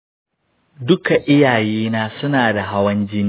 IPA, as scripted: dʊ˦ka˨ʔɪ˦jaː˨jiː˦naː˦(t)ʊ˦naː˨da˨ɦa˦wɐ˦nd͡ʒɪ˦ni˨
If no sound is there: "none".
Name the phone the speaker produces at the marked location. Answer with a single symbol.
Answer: s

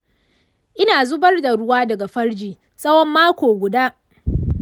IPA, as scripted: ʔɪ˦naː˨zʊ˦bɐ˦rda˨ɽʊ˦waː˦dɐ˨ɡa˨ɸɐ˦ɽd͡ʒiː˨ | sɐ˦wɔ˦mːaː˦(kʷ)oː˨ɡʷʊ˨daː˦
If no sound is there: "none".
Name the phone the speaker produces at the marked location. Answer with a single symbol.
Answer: kʷ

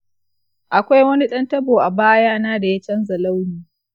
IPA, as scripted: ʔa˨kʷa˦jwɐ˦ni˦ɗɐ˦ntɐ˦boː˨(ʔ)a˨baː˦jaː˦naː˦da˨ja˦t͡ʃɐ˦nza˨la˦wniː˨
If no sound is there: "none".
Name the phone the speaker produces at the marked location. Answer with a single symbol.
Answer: ʔ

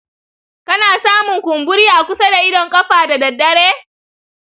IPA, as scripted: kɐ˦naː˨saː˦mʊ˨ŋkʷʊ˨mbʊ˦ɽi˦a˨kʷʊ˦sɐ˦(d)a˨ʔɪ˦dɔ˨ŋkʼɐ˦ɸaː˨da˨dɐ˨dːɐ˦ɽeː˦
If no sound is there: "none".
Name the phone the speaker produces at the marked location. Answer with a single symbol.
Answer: d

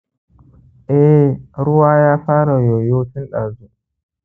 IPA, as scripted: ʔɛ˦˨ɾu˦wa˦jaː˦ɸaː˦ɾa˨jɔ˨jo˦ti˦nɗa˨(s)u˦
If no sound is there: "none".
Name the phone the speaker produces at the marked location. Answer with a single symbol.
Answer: z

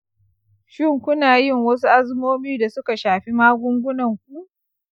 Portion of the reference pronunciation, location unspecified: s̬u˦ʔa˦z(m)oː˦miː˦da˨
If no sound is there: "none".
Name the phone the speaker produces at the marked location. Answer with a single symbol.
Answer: m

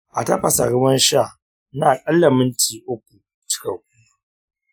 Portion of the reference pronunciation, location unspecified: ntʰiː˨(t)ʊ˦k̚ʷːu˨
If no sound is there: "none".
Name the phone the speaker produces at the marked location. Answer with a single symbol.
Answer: ʔ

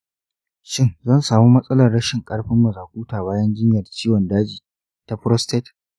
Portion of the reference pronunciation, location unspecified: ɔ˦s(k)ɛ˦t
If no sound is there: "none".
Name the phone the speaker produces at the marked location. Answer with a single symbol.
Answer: t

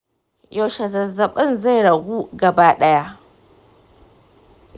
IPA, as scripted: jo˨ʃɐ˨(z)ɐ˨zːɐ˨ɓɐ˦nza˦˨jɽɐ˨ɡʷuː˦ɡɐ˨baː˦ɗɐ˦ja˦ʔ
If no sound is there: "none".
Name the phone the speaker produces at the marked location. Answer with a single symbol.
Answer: z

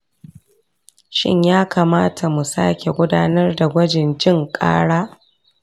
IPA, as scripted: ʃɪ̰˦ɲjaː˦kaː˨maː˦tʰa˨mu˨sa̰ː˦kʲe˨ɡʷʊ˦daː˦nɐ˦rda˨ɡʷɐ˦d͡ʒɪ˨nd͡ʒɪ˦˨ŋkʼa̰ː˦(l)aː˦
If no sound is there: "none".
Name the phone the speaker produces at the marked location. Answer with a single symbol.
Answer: ɽ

